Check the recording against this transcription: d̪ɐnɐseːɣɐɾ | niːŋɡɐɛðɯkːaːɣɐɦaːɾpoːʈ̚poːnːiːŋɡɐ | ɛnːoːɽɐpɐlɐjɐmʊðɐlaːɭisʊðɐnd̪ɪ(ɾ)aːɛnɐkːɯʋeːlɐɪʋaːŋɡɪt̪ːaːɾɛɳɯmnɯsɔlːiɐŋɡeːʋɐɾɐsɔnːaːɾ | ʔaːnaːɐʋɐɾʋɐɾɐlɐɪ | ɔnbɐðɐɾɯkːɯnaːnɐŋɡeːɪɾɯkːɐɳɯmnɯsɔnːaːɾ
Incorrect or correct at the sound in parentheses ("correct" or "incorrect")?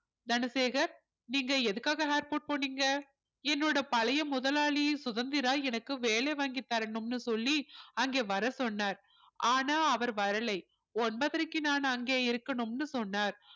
correct